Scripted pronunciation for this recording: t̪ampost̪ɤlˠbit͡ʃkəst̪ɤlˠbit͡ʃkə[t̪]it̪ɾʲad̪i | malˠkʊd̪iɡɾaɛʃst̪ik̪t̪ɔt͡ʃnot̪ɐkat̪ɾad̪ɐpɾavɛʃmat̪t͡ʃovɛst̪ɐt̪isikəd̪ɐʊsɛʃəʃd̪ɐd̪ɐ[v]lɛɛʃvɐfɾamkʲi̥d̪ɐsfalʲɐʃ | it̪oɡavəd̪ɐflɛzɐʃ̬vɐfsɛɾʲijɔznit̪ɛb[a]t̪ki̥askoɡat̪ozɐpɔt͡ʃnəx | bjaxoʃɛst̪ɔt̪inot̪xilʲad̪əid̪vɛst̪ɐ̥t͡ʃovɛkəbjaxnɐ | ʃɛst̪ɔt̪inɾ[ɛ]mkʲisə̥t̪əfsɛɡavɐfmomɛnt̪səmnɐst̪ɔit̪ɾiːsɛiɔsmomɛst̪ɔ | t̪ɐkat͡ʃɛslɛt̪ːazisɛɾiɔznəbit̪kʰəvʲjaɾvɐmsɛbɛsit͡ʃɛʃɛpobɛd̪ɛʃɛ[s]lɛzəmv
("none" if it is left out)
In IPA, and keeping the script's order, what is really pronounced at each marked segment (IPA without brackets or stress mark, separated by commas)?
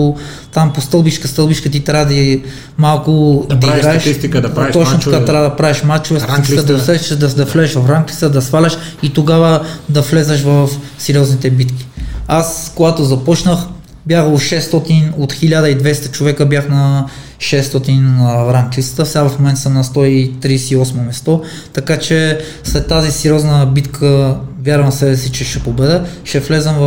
t̪, f, i, a, f